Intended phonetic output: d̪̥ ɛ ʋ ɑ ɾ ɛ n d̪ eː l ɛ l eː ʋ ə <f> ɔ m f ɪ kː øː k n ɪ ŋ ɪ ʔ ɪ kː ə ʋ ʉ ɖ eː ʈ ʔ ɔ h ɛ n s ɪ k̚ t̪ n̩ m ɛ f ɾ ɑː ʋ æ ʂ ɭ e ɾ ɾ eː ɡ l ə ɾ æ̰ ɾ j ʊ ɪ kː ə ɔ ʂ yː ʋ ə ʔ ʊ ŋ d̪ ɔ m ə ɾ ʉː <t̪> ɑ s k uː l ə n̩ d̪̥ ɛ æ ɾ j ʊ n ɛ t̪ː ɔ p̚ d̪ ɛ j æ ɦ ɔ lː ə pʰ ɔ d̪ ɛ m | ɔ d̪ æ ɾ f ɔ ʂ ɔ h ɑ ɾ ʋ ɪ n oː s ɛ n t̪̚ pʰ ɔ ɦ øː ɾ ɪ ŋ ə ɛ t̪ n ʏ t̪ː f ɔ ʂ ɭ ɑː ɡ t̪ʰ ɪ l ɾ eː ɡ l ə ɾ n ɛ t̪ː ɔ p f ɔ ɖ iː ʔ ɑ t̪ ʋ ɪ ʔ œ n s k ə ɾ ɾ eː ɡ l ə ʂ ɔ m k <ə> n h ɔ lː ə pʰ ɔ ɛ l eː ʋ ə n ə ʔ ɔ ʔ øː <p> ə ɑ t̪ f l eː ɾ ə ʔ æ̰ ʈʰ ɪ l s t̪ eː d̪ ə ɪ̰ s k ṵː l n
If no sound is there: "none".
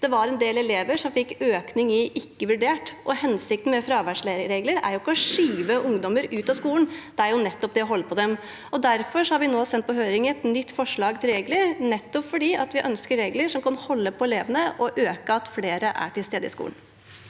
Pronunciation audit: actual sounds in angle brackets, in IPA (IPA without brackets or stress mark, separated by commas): ʂ, t̪, ɑ, k